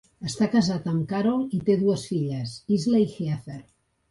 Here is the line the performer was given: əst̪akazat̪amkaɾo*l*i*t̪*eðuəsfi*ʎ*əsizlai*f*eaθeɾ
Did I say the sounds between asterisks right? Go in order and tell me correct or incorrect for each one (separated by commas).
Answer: correct, correct, correct, incorrect